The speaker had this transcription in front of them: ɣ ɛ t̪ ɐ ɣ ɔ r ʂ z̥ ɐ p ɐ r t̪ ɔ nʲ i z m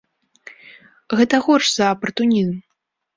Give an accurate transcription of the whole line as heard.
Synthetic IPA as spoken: ɣ ɛ t̪ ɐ ɣ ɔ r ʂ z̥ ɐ p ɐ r t̪ u nʲ i z m